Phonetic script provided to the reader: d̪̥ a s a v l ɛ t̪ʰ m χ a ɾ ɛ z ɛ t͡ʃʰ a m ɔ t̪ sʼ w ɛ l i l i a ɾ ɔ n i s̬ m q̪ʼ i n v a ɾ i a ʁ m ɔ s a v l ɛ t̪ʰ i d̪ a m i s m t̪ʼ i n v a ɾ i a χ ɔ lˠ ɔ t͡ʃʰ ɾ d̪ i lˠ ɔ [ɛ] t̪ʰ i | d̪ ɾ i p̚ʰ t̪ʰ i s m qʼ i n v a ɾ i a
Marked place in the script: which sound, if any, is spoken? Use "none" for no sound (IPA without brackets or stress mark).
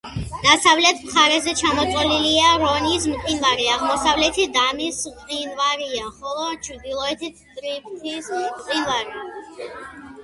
ɛ